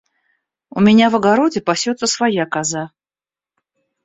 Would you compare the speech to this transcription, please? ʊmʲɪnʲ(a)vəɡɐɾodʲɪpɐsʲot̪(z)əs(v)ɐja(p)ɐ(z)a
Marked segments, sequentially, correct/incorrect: correct, incorrect: s, correct, incorrect: k, correct

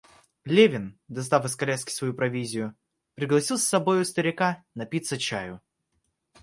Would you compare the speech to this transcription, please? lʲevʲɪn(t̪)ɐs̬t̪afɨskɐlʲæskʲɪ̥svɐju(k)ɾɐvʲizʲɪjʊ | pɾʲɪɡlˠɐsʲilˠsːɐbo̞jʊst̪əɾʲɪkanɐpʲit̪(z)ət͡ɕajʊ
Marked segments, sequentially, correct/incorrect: incorrect: d̪, incorrect: p, incorrect: s

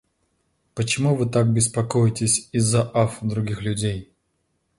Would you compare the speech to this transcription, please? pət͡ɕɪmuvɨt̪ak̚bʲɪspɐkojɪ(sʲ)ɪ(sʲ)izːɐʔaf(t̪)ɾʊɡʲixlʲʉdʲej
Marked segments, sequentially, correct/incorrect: incorrect: tʲ, correct, incorrect: d̪

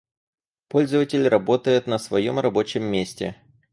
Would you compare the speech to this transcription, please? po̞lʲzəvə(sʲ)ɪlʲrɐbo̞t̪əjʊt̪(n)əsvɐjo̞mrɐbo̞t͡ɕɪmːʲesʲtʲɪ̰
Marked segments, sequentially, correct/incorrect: incorrect: tʲ, correct

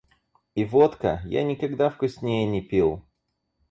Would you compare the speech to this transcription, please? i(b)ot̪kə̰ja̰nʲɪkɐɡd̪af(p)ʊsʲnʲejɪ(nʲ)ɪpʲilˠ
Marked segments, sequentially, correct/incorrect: incorrect: v, incorrect: k, correct

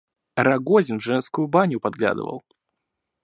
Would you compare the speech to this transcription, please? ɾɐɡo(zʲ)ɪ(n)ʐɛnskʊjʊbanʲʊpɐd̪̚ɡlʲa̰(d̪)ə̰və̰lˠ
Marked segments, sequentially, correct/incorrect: correct, correct, correct

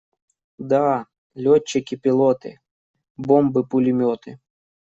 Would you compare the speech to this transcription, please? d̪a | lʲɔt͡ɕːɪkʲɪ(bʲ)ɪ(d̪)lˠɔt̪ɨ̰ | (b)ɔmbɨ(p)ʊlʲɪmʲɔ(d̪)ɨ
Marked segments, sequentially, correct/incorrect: incorrect: pʲ, incorrect: none, correct, correct, incorrect: t̪

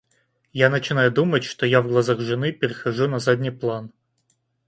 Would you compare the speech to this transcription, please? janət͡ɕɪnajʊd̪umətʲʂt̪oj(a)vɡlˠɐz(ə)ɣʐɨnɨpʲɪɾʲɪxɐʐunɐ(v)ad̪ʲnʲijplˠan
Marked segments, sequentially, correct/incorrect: correct, incorrect: a, incorrect: z

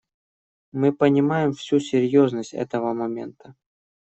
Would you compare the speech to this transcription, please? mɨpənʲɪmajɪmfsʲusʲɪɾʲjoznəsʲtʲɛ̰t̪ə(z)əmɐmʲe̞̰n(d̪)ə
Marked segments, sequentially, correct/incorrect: incorrect: v, incorrect: t̪

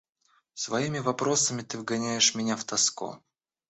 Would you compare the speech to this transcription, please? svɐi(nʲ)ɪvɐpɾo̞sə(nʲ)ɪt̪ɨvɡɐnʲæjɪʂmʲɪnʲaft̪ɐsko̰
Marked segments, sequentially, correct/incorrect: incorrect: mʲ, incorrect: mʲ

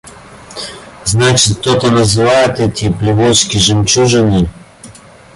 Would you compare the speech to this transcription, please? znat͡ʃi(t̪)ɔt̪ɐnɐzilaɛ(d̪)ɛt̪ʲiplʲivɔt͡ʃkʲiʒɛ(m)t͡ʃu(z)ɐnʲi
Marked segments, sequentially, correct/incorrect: correct, incorrect: t̪, correct, incorrect: ʒ

